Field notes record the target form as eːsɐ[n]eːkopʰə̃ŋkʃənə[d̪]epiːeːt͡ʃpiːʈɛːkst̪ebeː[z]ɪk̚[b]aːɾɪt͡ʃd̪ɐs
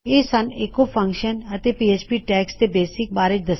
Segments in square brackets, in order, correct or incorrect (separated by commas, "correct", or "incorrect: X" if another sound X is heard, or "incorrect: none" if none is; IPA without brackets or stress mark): correct, incorrect: t̪, incorrect: s, correct